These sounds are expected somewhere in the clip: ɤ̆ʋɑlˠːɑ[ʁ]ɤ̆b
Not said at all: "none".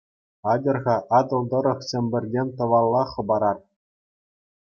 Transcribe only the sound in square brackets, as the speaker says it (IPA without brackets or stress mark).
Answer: χ